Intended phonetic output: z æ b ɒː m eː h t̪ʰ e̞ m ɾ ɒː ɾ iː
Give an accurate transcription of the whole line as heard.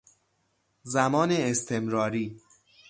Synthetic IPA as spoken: z æ m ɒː n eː s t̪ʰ e̞ m ɾ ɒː ɾ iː